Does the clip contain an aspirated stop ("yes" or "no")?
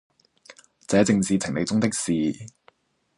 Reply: yes